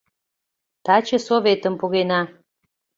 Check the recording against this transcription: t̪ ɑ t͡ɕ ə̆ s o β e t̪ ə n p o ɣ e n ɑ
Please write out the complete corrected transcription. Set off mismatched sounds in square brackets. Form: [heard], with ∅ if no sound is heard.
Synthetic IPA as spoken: t̪ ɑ t͡ɕ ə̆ s o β e t̪ ə [m] p [u] ɣ e n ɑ